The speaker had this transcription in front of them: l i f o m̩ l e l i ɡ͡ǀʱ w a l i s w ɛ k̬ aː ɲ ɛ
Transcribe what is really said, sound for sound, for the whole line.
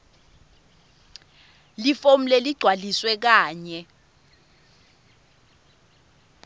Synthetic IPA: l i f o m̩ l e l i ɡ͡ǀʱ w a l i s w ɛ k̬ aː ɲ ɛ